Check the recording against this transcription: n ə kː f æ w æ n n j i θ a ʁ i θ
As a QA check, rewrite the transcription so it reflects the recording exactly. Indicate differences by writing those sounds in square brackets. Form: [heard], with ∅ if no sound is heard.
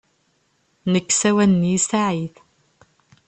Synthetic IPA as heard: n ə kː [s] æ w æ n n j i [s] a [ʕ] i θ